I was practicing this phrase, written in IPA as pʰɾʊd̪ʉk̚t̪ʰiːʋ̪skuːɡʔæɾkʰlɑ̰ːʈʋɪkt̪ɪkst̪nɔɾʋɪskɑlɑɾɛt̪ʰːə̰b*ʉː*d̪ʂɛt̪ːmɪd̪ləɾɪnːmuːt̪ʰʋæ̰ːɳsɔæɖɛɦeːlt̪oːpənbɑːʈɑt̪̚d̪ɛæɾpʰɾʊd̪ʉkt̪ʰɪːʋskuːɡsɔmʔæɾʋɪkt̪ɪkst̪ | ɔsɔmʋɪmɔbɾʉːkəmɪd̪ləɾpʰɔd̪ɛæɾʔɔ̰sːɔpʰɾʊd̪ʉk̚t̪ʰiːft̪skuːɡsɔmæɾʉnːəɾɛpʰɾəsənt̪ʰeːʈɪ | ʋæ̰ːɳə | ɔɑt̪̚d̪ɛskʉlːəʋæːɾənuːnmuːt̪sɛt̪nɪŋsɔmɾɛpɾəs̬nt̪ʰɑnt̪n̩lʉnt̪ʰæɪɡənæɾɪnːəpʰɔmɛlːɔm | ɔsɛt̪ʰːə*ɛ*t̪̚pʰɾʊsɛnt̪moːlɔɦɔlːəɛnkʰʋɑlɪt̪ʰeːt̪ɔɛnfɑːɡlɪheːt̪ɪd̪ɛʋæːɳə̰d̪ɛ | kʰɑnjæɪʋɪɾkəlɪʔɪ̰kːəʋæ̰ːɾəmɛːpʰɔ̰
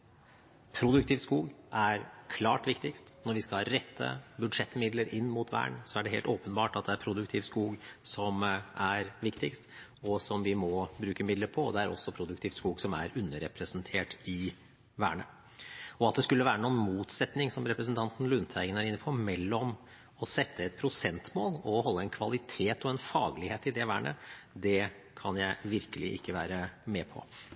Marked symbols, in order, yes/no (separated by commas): no, yes